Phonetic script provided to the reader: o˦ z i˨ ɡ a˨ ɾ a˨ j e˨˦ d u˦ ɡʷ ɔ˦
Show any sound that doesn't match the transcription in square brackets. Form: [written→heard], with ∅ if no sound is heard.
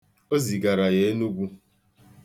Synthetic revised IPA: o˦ z i˨ ɡ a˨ ɾ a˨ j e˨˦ [d→n] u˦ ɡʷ [ɔ˦→u˦]